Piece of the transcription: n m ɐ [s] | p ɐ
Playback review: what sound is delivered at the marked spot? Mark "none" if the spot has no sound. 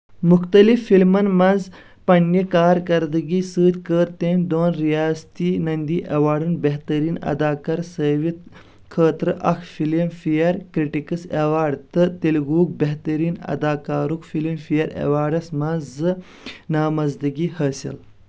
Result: z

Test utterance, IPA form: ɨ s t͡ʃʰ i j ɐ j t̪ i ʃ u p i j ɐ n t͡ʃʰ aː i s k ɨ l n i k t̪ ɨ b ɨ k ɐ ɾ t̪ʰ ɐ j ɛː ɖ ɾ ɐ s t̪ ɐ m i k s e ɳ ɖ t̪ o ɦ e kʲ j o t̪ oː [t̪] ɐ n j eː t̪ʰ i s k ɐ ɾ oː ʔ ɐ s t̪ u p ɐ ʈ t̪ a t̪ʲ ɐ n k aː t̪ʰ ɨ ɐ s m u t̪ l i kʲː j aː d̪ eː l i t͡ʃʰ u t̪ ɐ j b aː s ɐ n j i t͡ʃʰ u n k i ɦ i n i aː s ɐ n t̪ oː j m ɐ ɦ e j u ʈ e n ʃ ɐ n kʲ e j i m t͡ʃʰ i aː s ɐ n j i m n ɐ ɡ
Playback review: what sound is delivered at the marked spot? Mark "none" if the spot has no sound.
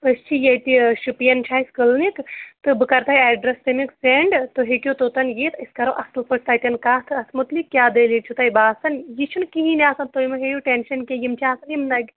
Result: t̪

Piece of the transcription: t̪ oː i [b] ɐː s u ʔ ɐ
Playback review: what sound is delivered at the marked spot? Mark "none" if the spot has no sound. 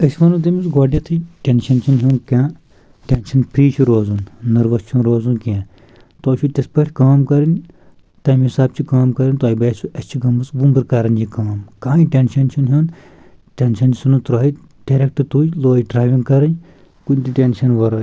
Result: b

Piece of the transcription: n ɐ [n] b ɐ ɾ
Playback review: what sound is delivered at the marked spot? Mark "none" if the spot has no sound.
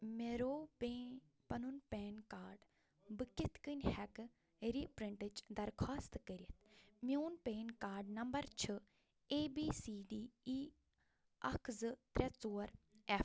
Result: m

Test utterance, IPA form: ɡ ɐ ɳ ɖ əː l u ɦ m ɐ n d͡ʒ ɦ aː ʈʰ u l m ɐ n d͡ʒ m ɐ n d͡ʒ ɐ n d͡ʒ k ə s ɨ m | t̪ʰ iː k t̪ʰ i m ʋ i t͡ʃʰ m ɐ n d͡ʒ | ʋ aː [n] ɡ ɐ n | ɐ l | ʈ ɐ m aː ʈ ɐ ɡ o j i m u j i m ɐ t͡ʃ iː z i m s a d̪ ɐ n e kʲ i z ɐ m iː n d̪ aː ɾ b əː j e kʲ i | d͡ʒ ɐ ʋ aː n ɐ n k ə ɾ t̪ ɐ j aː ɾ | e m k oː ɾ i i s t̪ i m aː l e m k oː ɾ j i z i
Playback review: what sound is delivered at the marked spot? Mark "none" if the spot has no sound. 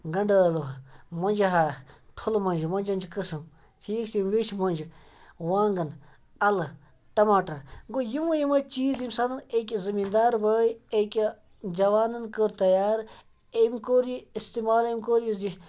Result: ŋ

